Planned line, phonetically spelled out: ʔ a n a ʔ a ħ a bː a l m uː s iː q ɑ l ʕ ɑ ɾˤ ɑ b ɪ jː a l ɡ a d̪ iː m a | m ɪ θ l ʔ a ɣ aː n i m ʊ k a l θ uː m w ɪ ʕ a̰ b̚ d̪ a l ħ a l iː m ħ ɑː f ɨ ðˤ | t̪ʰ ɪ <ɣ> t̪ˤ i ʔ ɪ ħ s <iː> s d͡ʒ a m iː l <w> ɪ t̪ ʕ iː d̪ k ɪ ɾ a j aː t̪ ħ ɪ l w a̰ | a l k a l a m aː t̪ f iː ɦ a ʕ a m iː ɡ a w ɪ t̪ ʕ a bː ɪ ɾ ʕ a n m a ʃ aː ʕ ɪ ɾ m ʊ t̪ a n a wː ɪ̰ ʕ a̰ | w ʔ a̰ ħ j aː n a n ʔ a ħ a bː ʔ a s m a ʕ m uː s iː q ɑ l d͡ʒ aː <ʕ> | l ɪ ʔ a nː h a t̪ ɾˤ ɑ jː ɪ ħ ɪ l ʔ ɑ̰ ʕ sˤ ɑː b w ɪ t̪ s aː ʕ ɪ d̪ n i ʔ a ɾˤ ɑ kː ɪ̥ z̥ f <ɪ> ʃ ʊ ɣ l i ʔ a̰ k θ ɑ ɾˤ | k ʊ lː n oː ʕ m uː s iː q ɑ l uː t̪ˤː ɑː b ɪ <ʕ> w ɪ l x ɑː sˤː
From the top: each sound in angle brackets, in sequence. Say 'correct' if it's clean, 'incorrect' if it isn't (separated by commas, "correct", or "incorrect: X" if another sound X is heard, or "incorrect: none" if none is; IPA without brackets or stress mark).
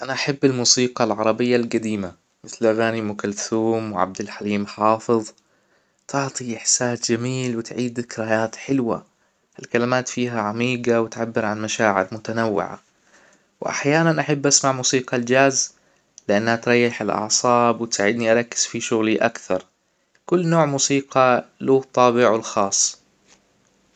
incorrect: ʕ, incorrect: aː, correct, incorrect: z, incorrect: i, correct